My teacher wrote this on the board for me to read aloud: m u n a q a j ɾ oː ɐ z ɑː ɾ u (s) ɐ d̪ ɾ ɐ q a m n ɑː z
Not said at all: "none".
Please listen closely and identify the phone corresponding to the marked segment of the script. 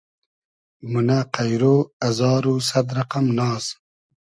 s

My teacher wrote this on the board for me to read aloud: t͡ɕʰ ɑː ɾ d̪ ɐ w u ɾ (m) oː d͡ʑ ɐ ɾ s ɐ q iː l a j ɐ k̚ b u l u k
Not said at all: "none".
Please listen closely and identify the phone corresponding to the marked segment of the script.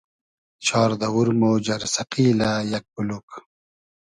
m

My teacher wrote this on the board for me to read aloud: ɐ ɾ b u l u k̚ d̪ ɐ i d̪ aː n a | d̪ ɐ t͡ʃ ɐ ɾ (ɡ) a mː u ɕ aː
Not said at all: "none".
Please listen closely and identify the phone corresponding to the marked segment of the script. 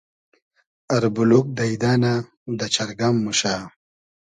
ɡ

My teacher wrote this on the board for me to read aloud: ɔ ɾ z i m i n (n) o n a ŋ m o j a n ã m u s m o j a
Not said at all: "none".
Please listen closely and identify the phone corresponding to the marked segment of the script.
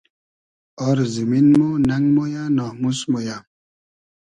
m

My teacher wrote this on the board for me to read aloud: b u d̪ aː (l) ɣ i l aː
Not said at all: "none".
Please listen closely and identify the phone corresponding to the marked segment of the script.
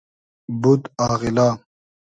none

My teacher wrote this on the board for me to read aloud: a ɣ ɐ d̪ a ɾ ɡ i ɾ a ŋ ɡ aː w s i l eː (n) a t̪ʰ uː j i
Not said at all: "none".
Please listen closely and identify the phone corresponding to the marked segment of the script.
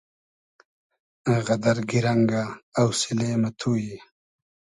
m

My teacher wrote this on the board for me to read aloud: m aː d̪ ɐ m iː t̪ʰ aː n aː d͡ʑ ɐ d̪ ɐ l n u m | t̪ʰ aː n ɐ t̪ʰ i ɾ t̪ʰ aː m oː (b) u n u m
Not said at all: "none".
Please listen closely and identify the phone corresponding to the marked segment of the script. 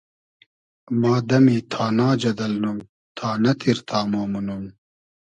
m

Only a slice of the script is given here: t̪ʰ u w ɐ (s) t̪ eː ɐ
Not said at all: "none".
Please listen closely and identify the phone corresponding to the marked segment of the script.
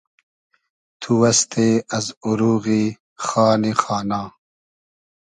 s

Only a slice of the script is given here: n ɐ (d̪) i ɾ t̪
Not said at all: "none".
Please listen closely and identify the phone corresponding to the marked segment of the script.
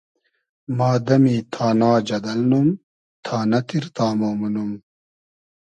t̪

